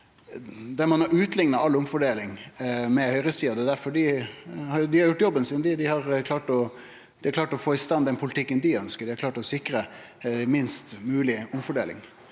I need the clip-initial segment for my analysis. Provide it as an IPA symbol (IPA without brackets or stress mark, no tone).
d̪